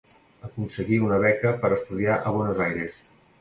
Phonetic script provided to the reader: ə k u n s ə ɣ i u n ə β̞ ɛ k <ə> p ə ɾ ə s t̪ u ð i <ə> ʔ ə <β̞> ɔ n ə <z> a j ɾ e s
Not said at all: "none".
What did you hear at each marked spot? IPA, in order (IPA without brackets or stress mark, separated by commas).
ə, a, β̞, z